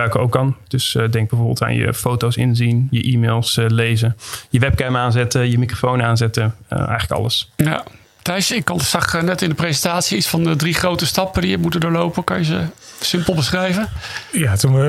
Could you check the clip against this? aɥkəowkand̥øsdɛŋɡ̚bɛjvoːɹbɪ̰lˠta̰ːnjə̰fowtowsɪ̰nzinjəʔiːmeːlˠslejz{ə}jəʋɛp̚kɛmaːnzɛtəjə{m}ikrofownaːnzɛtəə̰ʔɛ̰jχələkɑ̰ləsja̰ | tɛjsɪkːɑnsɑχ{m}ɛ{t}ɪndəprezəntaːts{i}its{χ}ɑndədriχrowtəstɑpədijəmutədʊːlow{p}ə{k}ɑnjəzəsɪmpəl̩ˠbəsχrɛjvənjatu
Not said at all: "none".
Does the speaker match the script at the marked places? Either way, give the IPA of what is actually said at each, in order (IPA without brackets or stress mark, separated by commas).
ə, m, n, t, i, f, p, k